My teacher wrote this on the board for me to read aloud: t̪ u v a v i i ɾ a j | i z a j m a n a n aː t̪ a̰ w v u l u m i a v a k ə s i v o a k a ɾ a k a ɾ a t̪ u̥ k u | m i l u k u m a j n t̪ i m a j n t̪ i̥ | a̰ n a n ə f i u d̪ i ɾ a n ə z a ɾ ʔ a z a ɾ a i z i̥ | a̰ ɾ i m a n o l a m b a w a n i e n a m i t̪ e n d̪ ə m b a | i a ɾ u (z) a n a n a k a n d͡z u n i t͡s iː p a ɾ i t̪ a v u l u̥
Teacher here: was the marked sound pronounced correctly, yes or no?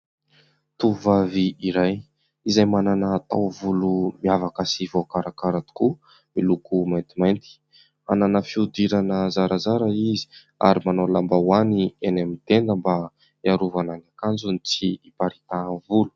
no